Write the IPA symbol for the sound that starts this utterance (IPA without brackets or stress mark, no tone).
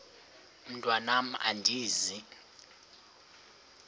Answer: m̩